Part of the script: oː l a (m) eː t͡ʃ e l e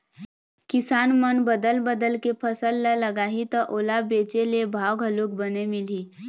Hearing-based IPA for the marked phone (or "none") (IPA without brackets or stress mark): b